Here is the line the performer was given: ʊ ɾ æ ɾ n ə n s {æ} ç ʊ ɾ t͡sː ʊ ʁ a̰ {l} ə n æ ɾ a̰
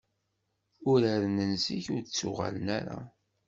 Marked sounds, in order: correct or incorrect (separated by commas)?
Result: incorrect, correct